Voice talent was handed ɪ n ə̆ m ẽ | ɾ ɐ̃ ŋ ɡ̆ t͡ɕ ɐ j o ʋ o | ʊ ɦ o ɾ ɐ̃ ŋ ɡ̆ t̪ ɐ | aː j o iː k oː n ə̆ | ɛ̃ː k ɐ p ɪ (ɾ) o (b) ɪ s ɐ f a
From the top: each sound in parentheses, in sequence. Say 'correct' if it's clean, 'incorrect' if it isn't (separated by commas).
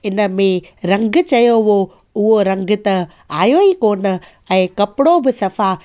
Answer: incorrect, correct